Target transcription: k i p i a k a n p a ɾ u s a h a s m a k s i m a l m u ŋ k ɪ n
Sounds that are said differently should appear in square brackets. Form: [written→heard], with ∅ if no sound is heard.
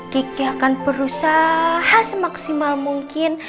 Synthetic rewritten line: k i [p→k] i a k a n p [a→ə] ɾ u s a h a s m a k s i m a l m u ŋ k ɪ n